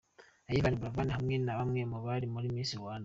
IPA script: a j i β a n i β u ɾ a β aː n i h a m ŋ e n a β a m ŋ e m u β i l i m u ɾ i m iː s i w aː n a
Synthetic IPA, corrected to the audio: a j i β a n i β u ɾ a v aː n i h a m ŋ e n a β a m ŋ e m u β a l i m u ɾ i m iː s i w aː n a